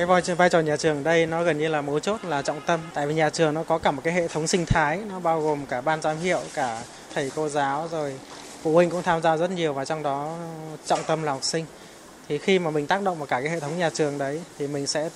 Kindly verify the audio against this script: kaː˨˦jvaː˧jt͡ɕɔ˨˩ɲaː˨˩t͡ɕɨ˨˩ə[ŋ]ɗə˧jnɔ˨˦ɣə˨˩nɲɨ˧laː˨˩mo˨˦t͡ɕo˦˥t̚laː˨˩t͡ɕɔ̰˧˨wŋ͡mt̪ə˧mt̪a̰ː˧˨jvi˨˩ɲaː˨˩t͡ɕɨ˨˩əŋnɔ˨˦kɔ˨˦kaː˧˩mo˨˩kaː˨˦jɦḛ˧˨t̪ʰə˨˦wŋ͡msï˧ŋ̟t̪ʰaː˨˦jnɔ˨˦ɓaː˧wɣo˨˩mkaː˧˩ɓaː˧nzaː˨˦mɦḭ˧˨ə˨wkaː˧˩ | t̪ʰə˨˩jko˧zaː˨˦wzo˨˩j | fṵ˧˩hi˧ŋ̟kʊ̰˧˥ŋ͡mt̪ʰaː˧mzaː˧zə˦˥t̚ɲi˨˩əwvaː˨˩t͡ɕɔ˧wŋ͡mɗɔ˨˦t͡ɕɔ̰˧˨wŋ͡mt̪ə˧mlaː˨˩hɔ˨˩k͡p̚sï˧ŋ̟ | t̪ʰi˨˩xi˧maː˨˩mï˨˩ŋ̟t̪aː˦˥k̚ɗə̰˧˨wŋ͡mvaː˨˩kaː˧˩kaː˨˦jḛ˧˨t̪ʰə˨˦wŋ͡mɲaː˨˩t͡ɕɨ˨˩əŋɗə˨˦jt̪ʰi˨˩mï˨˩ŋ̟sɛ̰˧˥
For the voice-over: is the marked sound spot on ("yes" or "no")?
yes